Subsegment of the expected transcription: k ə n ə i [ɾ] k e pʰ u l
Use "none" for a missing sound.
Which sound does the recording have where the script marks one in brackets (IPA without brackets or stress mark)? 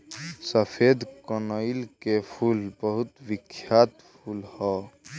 l